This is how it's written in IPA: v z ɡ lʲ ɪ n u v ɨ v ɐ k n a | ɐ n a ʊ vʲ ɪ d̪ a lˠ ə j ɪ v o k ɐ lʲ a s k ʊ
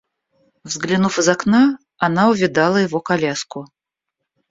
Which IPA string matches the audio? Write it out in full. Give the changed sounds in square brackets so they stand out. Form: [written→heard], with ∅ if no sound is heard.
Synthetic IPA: v z ɡ lʲ ɪ n u [v→f] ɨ [v→z] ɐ k n a | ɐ n a ʊ vʲ ɪ d̪ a lˠ ə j ɪ v o k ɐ lʲ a s k ʊ